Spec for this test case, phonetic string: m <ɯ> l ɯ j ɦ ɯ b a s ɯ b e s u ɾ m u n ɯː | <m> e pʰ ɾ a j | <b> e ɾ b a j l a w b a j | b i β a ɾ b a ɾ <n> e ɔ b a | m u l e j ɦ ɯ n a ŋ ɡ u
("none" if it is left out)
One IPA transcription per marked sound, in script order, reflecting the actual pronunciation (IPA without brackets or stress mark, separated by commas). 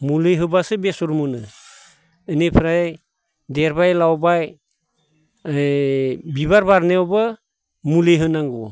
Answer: u, n, d, n